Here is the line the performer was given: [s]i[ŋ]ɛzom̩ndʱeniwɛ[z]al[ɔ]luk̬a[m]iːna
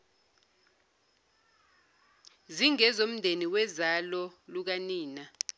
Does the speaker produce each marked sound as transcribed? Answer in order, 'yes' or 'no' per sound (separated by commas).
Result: no, yes, yes, yes, no